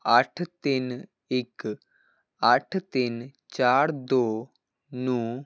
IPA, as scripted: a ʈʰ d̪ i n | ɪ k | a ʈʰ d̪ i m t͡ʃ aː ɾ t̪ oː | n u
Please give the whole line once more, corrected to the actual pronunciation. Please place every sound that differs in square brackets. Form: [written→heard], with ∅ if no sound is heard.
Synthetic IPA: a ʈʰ [d̪→t̪] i n | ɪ k | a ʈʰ [d̪→t̪] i [m→n] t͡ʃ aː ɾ [t̪→d̪] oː | n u